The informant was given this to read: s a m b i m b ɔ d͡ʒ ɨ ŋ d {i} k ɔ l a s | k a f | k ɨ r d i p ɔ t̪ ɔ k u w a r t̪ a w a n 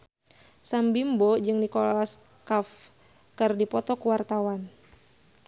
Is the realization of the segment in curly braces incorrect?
no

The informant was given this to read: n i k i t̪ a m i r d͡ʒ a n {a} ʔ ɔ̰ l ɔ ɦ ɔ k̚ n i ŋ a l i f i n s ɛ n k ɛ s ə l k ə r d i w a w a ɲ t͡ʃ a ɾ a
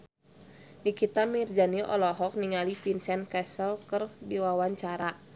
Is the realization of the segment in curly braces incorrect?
yes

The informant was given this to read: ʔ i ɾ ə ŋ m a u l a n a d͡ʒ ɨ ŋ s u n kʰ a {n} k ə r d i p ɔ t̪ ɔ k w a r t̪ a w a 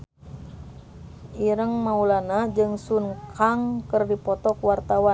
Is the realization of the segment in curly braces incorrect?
yes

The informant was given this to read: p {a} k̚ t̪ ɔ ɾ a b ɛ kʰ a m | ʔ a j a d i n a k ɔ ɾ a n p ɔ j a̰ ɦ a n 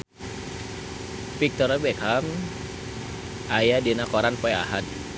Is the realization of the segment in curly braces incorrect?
yes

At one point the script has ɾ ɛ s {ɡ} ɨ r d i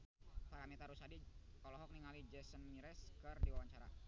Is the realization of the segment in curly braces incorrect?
yes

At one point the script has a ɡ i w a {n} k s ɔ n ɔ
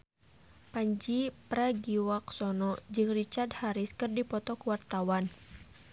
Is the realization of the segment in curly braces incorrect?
yes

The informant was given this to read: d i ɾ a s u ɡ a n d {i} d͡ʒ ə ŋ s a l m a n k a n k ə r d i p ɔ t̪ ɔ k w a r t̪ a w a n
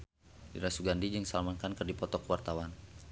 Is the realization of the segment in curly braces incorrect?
no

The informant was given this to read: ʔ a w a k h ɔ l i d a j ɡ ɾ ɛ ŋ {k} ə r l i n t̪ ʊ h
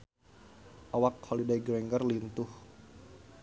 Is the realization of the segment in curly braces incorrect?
yes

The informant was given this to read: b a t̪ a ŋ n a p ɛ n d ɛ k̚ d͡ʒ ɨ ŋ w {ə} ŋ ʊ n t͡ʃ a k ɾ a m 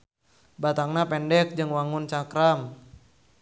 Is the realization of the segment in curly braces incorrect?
yes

